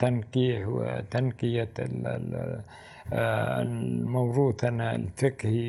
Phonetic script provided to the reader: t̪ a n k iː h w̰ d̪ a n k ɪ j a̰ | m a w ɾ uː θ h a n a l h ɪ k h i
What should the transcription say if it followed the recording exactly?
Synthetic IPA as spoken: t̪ a n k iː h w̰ t̪ a n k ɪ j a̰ | m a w ɾ uː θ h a n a l f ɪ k h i